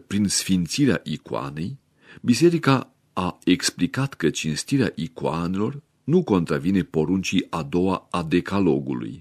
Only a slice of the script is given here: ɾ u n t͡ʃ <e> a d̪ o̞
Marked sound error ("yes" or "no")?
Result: yes